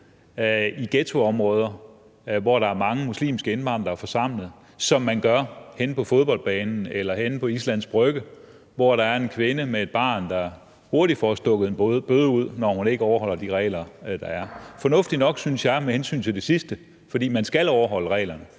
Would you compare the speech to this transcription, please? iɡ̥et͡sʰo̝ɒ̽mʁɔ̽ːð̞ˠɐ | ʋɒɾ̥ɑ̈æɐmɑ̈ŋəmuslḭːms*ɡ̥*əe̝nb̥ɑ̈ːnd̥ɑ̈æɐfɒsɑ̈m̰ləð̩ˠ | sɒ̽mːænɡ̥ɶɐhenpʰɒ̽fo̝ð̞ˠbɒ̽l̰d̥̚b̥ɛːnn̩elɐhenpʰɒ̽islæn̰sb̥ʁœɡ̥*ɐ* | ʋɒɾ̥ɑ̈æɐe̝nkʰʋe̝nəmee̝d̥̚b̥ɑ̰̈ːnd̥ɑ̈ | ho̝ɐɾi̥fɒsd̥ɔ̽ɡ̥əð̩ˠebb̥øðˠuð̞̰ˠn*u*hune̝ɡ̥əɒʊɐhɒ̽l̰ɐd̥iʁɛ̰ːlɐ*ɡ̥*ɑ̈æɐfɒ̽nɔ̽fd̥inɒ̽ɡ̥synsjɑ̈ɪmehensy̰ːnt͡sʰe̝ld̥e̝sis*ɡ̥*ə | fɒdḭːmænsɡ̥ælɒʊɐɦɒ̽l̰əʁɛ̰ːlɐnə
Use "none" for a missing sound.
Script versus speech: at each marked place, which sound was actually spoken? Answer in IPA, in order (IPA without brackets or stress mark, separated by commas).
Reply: ɡ̥, ə, ɒ, d̥, d̥